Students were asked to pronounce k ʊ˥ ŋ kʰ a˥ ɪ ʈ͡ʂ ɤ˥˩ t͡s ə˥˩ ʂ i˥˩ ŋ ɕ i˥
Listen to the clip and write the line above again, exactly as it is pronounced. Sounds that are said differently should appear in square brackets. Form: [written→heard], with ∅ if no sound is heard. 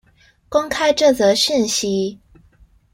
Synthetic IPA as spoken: k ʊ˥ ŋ kʰ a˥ ɪ ʈ͡ʂ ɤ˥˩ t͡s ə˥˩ [ʂ→ɕ] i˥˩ [ŋ→n] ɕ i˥